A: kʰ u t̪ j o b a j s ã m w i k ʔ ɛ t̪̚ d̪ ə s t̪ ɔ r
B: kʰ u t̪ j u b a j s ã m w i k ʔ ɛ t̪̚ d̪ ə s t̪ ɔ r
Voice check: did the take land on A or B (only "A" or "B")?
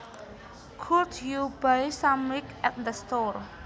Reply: B